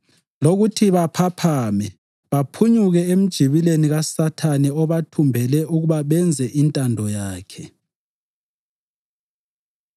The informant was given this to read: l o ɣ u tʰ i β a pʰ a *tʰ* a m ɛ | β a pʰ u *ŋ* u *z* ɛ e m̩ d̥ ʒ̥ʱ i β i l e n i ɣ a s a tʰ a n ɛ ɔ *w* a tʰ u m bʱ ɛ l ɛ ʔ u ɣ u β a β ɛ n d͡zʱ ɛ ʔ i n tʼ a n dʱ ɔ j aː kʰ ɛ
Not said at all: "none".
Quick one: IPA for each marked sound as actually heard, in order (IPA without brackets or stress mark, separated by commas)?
pʰ, ɲ, ɣ, β